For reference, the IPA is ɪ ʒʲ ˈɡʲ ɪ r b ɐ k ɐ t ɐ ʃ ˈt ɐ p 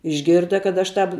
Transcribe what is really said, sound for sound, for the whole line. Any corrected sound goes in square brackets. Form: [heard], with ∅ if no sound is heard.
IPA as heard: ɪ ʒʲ ˈɡʲ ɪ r [d] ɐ k ɐ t ɐ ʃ ˈt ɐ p